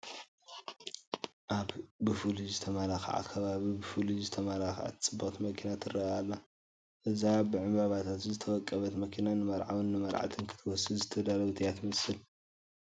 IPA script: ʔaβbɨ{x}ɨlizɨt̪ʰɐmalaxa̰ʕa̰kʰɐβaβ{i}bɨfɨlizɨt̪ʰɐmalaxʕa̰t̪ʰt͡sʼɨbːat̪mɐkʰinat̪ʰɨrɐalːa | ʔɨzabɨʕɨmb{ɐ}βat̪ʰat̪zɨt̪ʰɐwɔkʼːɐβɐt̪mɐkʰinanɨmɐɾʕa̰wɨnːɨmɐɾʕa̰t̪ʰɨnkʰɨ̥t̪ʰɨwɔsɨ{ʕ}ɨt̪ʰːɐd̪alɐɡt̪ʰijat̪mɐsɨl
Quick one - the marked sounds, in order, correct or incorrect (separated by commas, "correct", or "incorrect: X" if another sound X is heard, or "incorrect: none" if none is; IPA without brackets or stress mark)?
incorrect: f, correct, incorrect: a, incorrect: z